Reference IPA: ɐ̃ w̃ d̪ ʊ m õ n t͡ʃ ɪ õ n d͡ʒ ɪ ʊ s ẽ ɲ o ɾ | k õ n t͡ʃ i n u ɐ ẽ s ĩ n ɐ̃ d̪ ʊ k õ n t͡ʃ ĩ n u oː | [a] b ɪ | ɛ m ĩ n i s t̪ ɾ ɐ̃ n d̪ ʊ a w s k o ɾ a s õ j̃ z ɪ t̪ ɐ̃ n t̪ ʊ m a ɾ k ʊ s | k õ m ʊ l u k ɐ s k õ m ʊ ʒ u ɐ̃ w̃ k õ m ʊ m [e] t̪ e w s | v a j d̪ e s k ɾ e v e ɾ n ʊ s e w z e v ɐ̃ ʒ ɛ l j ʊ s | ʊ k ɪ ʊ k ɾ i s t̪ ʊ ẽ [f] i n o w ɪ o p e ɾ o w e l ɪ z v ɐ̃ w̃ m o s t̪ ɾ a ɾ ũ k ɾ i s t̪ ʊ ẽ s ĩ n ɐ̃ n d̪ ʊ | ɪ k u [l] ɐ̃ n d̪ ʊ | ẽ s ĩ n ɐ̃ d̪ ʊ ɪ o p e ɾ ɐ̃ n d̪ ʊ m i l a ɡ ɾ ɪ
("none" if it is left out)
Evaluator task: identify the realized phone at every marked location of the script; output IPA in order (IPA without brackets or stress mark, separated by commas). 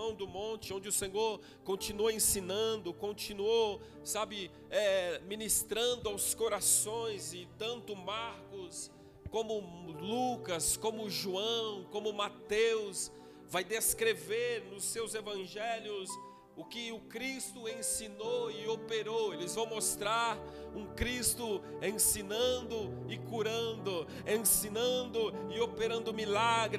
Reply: a, a, s, ɾ